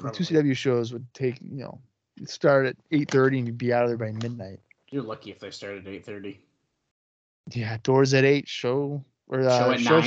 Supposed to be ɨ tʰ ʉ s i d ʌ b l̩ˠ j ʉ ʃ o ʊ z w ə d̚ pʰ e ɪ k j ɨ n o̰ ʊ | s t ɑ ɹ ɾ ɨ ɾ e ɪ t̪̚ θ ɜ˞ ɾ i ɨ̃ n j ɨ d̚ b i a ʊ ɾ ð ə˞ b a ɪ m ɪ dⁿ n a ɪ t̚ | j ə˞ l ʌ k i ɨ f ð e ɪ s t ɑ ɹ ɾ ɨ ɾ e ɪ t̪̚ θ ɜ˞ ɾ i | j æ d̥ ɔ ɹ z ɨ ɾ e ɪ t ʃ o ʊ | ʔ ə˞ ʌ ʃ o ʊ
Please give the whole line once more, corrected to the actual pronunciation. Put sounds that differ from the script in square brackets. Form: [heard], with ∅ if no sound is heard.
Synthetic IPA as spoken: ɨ tʰ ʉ s i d ʌ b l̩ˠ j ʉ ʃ o ʊ z w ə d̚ [tʰ] e ɪ k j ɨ n o̰ ʊ | s t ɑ ɹ ɾ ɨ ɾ e ɪ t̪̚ θ ɜ˞ ɾ i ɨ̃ n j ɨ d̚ b i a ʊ ɾ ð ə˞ b a ɪ m ɪ dⁿ n a ɪ t̚ | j ə˞ l ʌ k i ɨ f ð e ɪ s t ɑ ɹ ɾ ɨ ɾ e ɪ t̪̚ θ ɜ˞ ɾ i | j æ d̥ ɔ ɹ z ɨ ɾ e ɪ t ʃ o ʊ | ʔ ə˞ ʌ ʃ o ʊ